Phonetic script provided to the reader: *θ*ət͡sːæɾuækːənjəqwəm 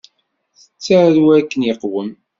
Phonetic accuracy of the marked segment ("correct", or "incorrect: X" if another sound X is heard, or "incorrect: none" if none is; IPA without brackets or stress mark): correct